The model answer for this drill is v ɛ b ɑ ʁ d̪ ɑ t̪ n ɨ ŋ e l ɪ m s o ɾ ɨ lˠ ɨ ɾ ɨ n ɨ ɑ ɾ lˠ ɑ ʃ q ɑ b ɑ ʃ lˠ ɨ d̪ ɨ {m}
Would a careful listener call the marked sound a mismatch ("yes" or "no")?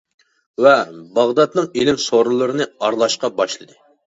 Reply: yes